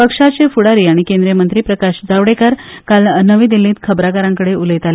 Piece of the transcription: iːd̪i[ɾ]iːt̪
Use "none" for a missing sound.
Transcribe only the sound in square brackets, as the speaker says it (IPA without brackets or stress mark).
l